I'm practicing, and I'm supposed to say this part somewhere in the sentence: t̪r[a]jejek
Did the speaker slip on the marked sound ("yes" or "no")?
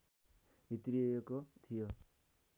yes